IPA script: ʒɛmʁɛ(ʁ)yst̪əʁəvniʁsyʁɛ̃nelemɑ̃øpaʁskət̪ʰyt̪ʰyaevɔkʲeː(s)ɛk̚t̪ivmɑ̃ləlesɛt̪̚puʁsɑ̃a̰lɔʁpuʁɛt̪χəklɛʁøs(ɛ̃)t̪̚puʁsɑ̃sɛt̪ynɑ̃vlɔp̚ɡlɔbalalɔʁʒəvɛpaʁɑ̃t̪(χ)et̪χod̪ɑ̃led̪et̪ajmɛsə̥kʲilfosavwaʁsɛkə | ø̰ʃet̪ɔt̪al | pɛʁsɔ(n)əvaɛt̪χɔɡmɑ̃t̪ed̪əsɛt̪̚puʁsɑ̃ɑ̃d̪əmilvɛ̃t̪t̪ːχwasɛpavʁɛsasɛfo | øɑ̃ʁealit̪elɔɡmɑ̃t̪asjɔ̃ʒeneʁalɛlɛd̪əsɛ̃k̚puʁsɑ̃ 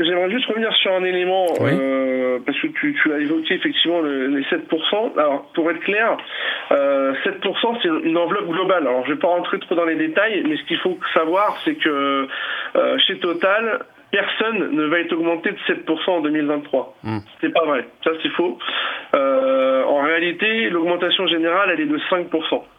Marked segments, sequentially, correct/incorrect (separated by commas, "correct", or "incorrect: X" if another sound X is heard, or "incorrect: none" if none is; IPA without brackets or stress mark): incorrect: ʒ, incorrect: f, incorrect: ɛ, correct, incorrect: nː